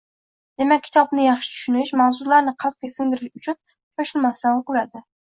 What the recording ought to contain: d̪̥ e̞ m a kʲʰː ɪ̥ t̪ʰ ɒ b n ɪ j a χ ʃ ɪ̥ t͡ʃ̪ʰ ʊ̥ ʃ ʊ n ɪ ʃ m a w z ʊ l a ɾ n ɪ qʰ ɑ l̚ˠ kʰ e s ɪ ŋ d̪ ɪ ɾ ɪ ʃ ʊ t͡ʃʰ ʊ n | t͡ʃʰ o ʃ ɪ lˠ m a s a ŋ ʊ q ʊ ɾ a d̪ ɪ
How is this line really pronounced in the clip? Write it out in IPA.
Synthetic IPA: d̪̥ e̞ m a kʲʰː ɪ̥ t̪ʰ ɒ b n ɪ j ɑ χ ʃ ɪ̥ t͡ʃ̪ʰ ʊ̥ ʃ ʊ n ɪ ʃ m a w z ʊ l a ɾ n ɪ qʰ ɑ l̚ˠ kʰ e s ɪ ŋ d̪ ɪ ɾ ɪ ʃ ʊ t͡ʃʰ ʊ n | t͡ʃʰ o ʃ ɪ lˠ m a s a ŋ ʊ q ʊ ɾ a d̪ ɪ